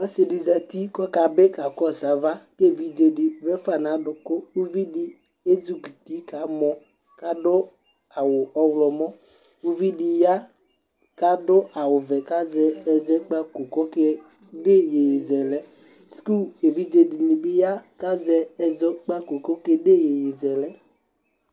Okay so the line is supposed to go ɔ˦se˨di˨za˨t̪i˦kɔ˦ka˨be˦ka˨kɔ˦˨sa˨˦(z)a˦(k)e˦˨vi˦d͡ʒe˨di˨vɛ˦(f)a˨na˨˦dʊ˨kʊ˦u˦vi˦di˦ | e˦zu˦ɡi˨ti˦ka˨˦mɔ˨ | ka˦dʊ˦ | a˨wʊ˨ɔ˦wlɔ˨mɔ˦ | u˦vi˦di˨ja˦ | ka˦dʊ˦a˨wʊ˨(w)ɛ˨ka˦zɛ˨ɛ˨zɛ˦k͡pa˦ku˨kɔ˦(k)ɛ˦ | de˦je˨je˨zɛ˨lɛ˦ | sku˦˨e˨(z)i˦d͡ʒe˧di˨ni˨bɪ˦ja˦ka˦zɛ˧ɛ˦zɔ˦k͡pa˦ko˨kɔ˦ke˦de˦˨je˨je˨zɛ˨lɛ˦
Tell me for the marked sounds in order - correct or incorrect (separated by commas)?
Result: incorrect, correct, correct, incorrect, correct, incorrect